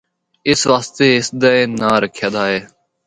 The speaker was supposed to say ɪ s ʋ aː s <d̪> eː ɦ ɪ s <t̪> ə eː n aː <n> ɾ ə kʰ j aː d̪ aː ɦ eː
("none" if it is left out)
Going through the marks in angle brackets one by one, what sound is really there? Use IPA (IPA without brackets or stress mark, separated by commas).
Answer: t̪, d̪, none